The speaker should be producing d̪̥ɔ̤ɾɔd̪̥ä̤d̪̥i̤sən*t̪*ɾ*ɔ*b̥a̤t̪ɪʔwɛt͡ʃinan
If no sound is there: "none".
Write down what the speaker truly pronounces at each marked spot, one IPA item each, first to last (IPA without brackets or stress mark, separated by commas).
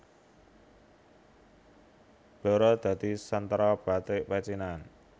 t̪, ɔ